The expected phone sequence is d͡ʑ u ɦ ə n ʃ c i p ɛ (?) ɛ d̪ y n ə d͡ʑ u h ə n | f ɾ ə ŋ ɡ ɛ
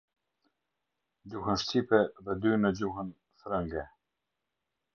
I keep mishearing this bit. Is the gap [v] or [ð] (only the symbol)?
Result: ð